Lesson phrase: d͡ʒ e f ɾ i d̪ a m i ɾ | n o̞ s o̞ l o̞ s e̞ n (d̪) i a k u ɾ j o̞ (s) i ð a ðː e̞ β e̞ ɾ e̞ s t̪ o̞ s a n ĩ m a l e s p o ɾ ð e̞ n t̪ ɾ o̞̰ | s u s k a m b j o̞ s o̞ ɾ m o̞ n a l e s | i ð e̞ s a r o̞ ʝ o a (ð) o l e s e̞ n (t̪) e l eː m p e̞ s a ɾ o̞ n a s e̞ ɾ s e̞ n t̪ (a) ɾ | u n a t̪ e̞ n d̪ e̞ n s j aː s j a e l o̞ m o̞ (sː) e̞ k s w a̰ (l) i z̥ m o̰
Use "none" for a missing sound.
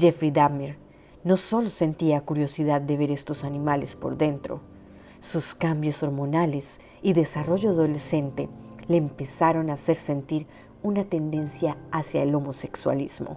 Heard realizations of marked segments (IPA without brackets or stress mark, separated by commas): t̪, s, ð, t̪, i, s, l